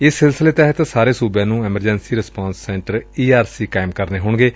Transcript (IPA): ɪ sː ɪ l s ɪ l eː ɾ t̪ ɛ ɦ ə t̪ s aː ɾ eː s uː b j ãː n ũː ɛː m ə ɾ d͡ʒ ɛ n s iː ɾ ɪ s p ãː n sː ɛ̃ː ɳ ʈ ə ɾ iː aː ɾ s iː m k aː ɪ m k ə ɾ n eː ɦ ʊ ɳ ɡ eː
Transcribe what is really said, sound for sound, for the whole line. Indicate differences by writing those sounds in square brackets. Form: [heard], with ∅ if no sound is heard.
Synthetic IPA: ɪ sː ɪ l s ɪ l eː [∅] t̪ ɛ ɦ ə t̪ s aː ɾ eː s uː b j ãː n ũː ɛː m ə ɾ d͡ʒ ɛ n s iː ɾ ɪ s p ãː n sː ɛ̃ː ɳ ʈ ə ɾ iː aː ɾ s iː [∅] k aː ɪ m k ə ɾ n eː ɦ ʊ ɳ ɡ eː